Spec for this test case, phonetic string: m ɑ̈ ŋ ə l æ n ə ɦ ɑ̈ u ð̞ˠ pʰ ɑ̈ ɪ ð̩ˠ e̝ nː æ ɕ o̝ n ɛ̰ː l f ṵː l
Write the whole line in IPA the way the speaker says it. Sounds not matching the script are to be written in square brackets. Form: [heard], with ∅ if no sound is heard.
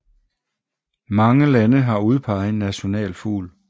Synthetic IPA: m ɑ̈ ŋ ə l æ n ə ɦ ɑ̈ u ð̞ˠ pʰ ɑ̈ ɪ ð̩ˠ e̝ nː æ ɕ o̝ n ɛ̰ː l f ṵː l

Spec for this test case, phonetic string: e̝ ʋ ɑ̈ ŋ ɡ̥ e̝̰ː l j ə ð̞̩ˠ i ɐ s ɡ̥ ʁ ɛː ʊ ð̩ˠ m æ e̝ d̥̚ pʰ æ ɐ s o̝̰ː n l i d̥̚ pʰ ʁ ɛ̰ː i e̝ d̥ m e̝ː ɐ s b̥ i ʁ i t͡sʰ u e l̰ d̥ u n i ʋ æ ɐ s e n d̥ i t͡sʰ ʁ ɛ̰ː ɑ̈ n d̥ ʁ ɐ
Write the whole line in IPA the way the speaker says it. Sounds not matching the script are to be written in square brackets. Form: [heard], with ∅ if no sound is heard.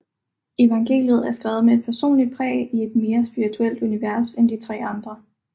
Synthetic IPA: e̝ ʋ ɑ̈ ŋ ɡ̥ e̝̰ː l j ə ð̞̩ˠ [æ] ɐ s ɡ̥ ʁ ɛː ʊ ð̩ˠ m [e] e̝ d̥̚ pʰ æ ɐ s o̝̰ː n l i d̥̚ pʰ ʁ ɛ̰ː i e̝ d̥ m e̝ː ɐ s b̥ i ʁ i t͡sʰ u e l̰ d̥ u n i ʋ æ ɐ s e n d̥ i t͡sʰ ʁ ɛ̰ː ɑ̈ n d̥ ʁ ɐ

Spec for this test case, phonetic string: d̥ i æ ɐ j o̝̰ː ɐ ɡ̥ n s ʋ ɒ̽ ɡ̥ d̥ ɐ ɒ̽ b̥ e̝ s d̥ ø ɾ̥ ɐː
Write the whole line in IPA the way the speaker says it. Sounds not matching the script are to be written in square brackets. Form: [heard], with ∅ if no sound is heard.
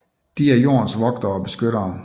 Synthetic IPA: d̥ i æ ɐ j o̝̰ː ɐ [∅] n s ʋ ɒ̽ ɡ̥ d̥ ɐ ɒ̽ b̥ e̝ s [ɡ̥] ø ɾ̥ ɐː

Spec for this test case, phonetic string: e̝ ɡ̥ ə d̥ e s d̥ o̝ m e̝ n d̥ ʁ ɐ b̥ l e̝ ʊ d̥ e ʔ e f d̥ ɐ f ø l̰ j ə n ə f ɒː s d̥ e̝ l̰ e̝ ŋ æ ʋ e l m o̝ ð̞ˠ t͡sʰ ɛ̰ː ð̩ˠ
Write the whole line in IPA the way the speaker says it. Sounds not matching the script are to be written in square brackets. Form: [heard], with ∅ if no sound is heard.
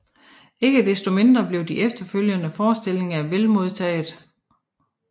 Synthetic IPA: e̝ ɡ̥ ə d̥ e s d̥ o̝ m e̝ n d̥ ʁ ɐ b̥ l e̝ ʊ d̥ [i] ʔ e f d̥ ɐ f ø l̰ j ə n ə f ɒː s d̥ e̝ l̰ e̝ ŋ æ ʋ e l m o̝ ð̞ˠ t͡sʰ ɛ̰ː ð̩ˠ

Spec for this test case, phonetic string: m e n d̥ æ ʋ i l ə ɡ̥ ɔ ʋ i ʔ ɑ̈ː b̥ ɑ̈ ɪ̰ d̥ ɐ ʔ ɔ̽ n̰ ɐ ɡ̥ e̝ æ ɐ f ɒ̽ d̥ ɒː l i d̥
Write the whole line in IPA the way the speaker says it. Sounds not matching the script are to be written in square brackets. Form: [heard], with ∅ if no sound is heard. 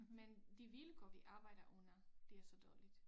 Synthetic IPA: m e n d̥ [i] ʋ i l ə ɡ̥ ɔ ʋ i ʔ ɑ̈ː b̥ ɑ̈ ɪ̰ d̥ ɐ ʔ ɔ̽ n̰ ɐ [d̥] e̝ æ ɐ [s] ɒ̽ d̥ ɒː l i d̥

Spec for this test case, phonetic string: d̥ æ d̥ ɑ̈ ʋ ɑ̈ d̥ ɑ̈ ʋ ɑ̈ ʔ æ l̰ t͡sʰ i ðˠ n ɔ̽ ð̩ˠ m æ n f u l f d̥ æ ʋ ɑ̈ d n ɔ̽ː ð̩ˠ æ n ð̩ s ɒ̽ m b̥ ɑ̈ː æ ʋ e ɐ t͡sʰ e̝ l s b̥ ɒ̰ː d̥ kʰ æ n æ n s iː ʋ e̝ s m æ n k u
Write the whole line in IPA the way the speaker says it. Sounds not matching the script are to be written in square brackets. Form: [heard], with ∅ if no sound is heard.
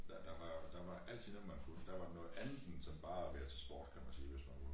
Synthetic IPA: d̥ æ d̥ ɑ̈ ʋ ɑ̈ d̥ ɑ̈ ʋ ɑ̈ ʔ æ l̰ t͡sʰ i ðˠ n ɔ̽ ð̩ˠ m æ n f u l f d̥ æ ʋ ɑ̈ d n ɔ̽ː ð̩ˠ æ n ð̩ s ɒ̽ m b̥ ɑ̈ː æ ʋ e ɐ t͡sʰ e̝ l s b̥ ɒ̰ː d̥ kʰ æ [m] æ n s iː ʋ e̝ s m æ n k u

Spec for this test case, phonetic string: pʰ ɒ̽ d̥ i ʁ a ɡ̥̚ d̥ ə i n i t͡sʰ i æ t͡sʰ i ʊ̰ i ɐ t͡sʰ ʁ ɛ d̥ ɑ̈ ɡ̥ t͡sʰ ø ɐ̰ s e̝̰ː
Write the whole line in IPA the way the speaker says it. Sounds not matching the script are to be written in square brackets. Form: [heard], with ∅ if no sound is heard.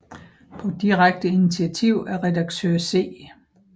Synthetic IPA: pʰ ɒ̽ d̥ i ʁ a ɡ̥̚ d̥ ə i n i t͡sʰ i æ t͡sʰ i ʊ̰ [æ] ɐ [∅] ʁ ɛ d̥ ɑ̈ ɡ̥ t͡sʰ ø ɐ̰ s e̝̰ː

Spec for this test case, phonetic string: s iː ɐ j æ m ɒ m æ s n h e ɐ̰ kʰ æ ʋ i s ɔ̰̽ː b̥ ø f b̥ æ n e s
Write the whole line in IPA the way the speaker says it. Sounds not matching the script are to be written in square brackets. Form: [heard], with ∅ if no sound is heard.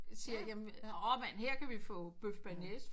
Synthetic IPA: s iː ɐ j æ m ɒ m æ [∅] n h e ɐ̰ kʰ æ ʋ i [f] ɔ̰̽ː b̥ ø f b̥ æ n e s

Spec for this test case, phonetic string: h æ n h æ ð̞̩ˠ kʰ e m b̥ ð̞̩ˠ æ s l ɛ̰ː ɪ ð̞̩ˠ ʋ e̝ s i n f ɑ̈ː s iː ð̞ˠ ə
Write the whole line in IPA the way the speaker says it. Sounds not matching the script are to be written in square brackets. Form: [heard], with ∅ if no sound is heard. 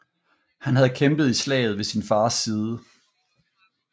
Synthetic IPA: h æ n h æ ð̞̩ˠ kʰ e m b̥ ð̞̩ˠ [i] s l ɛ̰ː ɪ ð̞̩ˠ ʋ e̝ s i n f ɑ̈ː s iː ð̞ˠ ə

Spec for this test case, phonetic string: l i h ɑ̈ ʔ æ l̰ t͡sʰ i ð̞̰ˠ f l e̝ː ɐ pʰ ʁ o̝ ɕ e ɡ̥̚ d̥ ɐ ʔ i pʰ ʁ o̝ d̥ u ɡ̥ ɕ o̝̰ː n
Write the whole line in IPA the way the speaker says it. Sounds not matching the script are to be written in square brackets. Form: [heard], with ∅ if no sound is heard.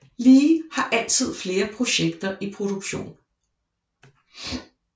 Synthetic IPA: l [iː] h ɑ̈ ʔ æ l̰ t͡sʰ i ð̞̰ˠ f l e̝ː ɐ pʰ ʁ o̝ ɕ e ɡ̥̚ d̥ ɐ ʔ i pʰ ʁ o̝ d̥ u ɡ̥ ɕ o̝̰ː n

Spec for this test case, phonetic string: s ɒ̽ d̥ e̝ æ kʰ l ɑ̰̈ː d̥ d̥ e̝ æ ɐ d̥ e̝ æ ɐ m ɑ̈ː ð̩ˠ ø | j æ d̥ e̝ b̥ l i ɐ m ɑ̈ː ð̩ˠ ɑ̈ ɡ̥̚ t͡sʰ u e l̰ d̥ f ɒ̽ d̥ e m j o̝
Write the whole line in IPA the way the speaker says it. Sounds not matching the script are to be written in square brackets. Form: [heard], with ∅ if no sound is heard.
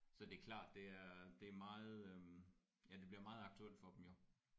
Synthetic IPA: s ɒ̽ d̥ e̝ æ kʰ l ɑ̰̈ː d̥ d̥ e̝ æ ɐ d̥ e̝ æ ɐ m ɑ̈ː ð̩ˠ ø | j æ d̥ e̝ b̥ l i ɐ m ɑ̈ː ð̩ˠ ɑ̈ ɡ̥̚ t͡sʰ u e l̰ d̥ f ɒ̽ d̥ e m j o̝

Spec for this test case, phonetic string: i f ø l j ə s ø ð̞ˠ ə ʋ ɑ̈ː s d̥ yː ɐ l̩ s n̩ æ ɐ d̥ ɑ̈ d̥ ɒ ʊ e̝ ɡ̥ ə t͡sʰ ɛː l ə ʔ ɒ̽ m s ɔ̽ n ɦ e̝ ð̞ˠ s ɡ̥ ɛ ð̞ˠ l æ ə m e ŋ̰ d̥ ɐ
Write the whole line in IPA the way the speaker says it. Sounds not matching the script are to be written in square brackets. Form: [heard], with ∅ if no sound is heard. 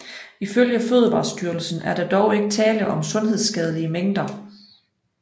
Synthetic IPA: i f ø l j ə [f] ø ð̞ˠ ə ʋ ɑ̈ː s d̥ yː ɐ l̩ s n̩ æ ɐ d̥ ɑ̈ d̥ ɒ ʊ e̝ ɡ̥ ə t͡sʰ ɛː l ə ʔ ɒ̽ m s ɔ̽ n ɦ e̝ ð̞ˠ s ɡ̥ ɛ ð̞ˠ l [i] ə m e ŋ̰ d̥ ɐ

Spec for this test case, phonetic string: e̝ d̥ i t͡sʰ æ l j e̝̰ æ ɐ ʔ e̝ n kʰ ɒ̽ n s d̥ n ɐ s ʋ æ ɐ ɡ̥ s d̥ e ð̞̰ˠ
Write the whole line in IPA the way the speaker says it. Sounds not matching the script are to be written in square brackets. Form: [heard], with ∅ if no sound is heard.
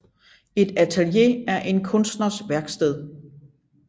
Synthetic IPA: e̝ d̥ [æ] t͡sʰ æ l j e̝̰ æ ɐ ʔ e̝ n kʰ [ɔ̽] n s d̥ n ɐ s ʋ æ ɐ ɡ̥ s d̥ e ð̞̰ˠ

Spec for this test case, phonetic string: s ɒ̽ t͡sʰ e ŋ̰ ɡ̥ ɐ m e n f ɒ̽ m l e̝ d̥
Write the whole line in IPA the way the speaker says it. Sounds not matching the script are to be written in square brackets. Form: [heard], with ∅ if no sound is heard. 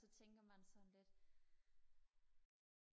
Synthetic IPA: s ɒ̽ t͡sʰ e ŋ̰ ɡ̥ ɐ m [æ] n [s] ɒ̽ [n] l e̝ d̥

